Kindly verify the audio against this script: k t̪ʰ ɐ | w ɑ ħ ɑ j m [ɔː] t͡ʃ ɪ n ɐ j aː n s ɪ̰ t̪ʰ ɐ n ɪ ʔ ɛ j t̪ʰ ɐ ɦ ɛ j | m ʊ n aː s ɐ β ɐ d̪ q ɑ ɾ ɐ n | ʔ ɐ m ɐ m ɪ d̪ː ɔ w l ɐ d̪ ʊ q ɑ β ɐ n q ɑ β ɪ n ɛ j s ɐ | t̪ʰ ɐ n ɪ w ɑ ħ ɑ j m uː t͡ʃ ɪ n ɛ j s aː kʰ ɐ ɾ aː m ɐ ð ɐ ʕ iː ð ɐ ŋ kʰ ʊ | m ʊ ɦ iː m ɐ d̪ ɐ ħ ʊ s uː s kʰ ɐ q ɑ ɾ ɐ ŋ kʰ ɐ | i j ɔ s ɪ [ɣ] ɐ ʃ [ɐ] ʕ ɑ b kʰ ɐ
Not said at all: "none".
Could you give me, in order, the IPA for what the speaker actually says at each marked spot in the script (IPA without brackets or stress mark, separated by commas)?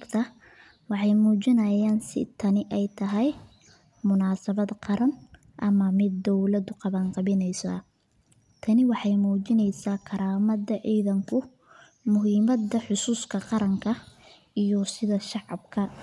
uː, ð, ɑ